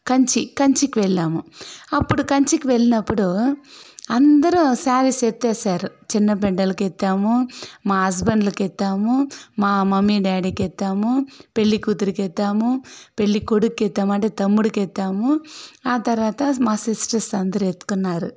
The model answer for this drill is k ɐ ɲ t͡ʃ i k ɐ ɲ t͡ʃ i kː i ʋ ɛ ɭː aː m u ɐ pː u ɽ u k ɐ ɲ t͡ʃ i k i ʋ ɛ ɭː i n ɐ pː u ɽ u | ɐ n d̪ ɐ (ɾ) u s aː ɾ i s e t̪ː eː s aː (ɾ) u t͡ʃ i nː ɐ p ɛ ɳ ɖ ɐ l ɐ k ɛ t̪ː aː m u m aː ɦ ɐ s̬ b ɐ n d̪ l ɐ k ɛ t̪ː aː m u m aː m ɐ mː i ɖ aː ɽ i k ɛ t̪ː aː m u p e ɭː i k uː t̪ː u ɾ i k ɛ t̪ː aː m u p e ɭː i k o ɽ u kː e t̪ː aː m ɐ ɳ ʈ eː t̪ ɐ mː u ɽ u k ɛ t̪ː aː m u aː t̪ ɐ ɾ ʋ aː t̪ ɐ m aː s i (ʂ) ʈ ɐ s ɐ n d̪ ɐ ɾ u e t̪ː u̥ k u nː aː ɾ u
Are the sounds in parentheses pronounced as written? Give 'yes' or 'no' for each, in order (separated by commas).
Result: yes, yes, no